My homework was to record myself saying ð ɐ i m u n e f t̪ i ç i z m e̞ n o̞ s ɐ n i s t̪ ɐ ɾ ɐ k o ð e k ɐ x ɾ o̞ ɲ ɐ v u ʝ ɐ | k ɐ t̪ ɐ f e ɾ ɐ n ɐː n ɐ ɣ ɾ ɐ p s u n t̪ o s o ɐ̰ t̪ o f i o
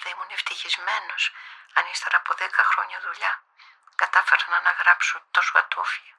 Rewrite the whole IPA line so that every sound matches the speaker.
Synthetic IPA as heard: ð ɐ i m u n e f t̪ i ç i z m e̞ n o̞ s ɐ n i s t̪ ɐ ɾ ɐ p o ð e k ɐ x ɾ o̞ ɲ ɐ ð u ʎ ɐ | k ɐ t̪ ɐ f e ɾ ɐ n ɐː n ɐ ɣ ɾ ɐ p s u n t̪ o s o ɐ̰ t̪ o f i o